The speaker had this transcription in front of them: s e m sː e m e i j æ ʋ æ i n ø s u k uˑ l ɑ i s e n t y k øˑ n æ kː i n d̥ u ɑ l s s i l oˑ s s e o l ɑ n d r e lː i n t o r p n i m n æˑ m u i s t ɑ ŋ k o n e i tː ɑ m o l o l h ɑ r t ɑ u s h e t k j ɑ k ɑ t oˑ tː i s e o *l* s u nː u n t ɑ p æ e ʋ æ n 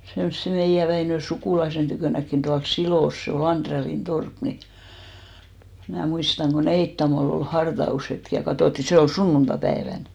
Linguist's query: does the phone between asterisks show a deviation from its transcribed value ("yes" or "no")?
no